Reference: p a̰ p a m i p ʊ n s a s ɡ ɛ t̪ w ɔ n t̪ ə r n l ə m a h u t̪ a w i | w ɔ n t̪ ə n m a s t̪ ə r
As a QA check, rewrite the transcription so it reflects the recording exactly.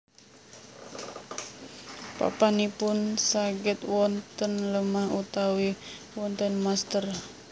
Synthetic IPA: p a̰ p a n i p ʊ n s a ɡ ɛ t̪ w ɔ n t̪ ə n l ə m a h u t̪ a w i | w ɔ n t̪ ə n m a s t̪ ə r